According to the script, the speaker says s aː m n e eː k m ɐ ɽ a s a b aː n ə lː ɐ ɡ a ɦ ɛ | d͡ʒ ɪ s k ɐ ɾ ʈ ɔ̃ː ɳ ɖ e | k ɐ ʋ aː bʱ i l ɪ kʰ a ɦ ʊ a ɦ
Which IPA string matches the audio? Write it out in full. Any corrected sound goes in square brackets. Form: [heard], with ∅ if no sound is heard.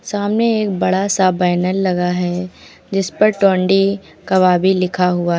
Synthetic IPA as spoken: s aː m n e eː k [b] ɐ ɽ a s a b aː n ə lː ɐ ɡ a ɦ ɛ | d͡ʒ ɪ s [p] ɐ ɾ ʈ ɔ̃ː ɳ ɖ [i] | k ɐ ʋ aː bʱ i l ɪ kʰ a ɦ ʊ a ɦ